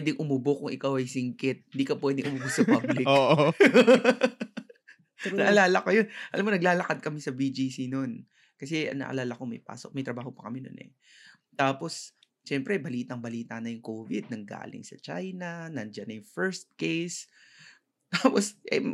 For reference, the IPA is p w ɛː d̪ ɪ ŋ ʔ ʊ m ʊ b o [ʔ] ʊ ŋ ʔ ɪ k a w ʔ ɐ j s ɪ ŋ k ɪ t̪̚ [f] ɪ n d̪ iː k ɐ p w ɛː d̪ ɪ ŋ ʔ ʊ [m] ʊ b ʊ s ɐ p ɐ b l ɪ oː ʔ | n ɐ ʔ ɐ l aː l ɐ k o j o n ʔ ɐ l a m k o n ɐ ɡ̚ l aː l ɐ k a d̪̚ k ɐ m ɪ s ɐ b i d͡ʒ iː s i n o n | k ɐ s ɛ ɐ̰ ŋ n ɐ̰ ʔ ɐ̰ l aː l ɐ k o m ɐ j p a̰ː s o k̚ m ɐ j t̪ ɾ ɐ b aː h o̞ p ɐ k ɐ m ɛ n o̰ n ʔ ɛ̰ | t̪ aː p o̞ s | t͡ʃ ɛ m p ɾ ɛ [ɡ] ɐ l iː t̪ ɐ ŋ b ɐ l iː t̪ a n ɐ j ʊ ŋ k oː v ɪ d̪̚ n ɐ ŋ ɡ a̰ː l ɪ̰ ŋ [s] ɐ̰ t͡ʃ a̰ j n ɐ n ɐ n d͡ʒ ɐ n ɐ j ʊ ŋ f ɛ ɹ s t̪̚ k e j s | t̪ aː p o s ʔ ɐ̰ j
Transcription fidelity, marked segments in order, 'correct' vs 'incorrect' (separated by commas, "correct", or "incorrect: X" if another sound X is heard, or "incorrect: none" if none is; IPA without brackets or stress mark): incorrect: k, incorrect: h, correct, incorrect: b, correct